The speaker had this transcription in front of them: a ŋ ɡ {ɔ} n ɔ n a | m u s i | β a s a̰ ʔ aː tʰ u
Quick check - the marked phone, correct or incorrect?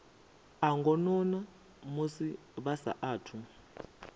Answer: correct